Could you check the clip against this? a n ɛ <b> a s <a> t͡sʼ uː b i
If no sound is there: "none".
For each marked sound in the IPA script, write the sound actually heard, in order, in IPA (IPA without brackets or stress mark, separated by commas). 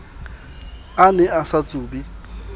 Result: none, a